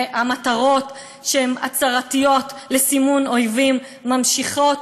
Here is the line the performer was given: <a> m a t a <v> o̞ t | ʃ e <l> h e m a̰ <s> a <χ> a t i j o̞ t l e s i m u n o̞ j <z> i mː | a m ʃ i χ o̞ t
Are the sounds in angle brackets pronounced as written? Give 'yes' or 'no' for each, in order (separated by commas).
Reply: yes, no, no, no, no, no